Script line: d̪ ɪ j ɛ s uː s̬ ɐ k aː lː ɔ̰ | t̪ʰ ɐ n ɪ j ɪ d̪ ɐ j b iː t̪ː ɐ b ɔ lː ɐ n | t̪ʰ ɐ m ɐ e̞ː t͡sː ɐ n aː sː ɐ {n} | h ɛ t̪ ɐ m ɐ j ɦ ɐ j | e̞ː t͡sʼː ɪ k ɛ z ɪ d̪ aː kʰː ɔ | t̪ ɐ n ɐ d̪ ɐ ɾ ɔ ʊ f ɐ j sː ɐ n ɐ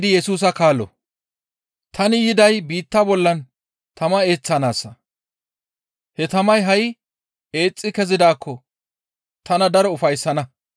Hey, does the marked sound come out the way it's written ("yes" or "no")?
no